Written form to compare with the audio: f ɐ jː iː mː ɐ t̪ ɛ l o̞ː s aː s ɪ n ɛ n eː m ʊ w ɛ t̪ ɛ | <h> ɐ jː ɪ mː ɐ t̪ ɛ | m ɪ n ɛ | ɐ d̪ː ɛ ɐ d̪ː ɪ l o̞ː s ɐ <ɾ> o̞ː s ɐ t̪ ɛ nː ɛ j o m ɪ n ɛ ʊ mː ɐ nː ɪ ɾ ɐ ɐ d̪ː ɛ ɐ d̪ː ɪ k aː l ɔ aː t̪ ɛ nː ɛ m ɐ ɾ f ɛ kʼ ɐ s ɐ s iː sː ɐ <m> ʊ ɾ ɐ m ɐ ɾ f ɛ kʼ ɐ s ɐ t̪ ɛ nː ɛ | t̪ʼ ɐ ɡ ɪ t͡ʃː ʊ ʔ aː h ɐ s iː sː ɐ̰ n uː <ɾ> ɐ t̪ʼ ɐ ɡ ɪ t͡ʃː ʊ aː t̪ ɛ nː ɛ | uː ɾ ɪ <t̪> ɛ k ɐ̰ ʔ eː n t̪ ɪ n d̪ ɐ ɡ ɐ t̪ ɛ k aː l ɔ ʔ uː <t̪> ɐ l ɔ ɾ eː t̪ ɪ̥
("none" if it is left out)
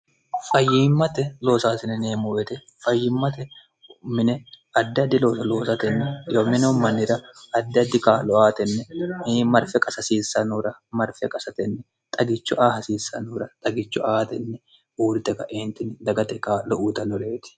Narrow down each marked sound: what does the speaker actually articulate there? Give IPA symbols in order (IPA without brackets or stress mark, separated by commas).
f, l, n, ɾ, t̪, t̪